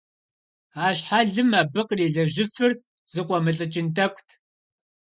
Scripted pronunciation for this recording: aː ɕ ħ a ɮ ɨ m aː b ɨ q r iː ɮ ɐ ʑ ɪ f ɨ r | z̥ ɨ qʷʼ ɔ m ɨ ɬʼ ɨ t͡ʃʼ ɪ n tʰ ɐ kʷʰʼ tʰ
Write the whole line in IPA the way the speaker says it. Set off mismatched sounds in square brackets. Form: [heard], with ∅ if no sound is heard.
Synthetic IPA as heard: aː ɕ ħ a ɮ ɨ m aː b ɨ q r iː ɮ ɐ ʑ ɪ f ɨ r | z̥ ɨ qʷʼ ɔ m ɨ ɬʼ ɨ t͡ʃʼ ɪ n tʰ ɐ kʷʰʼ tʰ